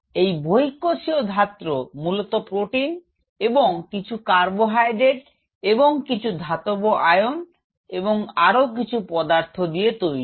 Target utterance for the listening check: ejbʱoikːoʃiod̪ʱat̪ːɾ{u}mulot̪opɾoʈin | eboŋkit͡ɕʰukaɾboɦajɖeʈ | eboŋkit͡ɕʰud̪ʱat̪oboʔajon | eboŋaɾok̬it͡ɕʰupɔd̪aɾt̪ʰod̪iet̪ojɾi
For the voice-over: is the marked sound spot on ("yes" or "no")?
no